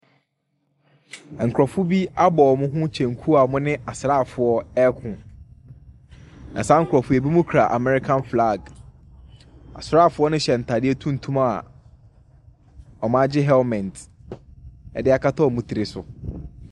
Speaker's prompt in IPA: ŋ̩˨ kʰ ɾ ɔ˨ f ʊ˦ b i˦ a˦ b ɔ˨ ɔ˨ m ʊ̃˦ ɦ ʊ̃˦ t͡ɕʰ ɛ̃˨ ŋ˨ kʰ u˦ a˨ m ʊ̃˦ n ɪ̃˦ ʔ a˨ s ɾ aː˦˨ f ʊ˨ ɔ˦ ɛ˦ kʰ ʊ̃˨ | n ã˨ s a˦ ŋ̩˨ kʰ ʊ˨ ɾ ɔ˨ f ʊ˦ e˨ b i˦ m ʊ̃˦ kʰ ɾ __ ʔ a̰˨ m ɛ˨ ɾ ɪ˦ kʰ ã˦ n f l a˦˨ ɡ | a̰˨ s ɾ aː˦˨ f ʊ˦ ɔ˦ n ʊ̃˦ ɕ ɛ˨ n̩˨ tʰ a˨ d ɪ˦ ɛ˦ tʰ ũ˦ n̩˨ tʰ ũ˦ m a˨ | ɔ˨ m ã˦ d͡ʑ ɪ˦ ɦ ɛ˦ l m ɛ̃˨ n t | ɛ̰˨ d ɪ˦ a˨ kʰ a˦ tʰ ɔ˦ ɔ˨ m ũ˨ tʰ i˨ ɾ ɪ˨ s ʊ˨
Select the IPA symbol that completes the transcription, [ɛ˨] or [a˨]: a˨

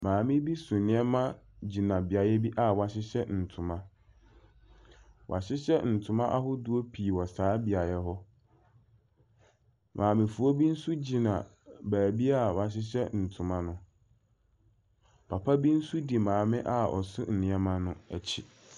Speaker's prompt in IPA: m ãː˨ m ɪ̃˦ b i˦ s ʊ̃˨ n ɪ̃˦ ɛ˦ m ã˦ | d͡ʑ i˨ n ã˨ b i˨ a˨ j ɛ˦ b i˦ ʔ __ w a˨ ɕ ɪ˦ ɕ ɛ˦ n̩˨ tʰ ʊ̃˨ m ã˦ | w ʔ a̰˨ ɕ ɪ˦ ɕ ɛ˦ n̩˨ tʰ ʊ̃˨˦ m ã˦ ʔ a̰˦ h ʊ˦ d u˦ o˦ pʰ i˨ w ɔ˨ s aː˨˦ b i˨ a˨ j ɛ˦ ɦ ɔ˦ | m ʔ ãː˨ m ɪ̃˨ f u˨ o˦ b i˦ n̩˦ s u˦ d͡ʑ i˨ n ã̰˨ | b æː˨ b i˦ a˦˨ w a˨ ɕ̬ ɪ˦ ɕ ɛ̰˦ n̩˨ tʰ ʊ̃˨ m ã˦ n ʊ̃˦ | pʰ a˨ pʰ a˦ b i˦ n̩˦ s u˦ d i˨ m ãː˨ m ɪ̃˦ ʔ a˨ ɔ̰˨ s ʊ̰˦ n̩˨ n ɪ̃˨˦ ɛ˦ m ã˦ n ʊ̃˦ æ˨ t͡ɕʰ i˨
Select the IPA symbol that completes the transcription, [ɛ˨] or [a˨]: a˨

